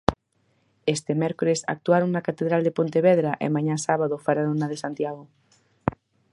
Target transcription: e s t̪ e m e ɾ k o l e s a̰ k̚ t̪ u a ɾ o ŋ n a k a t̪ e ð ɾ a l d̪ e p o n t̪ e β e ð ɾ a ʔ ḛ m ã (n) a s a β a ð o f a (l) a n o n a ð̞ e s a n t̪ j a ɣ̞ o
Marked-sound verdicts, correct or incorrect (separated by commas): incorrect, incorrect